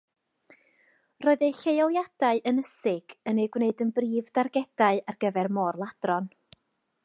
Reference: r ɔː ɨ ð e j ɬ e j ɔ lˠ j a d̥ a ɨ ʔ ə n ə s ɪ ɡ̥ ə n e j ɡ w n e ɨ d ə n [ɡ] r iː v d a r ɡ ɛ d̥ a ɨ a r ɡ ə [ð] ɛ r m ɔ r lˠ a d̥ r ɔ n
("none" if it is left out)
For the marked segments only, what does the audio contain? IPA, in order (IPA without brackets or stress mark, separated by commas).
b, v